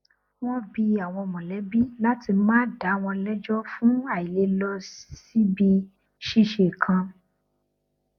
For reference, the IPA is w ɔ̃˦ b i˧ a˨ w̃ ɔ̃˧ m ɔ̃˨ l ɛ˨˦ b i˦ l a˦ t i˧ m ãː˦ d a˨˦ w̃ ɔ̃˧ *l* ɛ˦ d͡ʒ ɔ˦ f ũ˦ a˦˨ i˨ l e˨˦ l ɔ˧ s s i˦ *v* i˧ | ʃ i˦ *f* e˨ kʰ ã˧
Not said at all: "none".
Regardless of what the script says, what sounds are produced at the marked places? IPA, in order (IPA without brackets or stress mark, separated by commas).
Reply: l, b, ʃ